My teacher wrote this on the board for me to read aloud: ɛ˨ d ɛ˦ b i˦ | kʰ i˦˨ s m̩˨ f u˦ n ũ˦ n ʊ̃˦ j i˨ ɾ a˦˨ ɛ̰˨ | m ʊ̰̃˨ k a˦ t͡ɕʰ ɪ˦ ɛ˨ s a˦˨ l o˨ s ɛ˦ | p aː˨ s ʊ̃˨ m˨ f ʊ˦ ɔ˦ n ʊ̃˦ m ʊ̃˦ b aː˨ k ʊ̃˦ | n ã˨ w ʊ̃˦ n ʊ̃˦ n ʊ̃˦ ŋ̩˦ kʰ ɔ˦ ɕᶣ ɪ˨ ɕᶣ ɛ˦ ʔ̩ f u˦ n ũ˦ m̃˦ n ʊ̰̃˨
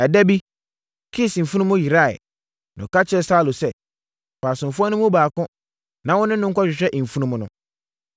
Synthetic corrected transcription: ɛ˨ d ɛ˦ b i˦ | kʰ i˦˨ s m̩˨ f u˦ n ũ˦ m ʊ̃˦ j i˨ ɾ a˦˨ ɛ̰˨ | n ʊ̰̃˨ k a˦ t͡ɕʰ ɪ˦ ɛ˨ s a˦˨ l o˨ s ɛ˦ | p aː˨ s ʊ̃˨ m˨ f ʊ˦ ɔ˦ n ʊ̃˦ m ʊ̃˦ b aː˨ k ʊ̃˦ | n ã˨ w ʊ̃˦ n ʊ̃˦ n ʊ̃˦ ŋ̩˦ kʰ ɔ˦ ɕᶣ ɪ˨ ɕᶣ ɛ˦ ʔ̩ f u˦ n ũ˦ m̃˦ n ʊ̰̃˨